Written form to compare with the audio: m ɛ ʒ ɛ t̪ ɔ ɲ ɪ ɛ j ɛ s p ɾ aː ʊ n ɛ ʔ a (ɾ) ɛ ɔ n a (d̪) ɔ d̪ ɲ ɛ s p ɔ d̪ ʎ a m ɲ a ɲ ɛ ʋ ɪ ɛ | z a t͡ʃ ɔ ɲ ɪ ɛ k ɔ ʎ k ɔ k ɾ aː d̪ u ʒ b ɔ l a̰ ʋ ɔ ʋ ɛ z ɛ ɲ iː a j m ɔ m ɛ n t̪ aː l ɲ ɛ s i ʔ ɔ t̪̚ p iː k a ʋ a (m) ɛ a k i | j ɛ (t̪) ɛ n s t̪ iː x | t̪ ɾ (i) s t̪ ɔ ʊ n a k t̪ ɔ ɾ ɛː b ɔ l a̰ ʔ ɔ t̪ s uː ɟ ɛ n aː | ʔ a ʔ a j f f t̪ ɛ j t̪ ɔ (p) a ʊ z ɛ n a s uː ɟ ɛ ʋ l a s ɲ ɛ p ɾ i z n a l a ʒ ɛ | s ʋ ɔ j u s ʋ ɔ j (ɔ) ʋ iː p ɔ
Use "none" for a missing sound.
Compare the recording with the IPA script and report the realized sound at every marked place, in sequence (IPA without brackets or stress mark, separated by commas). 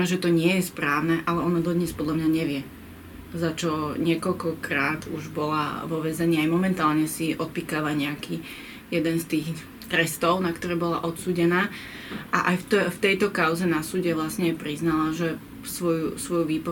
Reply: l, d̪, ɲ, d̪, ɛ, k, u